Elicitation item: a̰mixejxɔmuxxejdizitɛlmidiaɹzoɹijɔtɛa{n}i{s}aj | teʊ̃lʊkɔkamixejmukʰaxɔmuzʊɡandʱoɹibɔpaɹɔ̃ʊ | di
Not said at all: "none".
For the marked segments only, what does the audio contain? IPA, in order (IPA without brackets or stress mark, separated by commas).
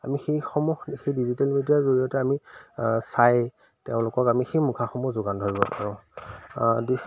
m, s